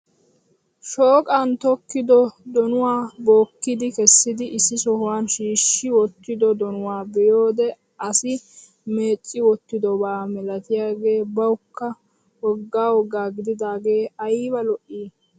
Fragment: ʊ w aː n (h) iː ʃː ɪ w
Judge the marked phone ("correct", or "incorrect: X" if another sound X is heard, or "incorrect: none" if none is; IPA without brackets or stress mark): incorrect: ʃ